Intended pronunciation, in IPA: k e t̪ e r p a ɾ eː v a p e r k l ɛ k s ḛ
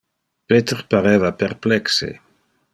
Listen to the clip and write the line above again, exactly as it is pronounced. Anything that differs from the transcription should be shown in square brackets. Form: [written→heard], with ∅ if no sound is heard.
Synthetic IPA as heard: [k→p] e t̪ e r p a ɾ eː v a p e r [k→p] l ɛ k s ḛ